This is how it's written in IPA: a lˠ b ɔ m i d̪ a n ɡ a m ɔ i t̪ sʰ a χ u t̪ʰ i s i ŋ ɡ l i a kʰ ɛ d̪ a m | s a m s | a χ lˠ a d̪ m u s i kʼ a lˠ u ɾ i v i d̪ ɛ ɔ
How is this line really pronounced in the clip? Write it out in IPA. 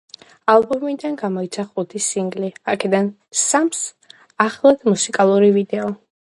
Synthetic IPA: a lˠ b ɔ m i d̪ a n ɡ a m ɔ i t̪ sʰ a χ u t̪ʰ i s i ŋ ɡ l i a kʰ ɛ d̪ a n | s a m s | a χ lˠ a d̪ m u s i kʼ a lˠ u ɾ i v i d̪ ɛ ɔ